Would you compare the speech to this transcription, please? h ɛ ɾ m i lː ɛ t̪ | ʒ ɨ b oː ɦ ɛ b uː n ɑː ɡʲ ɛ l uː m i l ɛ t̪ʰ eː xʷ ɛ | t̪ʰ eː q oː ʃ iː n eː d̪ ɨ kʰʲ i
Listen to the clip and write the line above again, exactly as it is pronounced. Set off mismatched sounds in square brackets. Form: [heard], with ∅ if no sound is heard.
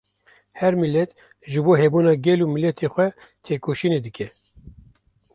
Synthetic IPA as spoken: h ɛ ɾ m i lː ɛ t̪ | ʒ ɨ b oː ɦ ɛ b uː n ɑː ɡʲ ɛ l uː m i l ɛ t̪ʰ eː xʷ ɛ | t̪ʰ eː [k] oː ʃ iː n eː d̪ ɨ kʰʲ [ɛ]